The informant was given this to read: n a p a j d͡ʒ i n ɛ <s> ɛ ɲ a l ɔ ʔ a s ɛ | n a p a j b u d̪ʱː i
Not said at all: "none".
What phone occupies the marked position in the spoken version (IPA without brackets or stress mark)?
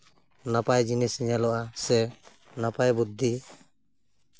s